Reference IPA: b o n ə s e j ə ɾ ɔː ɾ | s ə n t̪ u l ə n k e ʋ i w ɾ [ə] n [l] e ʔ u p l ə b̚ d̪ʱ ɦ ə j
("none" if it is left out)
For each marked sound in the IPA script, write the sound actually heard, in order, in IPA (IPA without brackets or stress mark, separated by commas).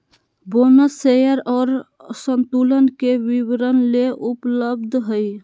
ə, l